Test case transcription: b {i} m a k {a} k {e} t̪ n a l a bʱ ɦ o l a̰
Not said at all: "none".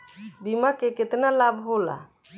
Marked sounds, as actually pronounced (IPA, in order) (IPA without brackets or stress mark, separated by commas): i, e, e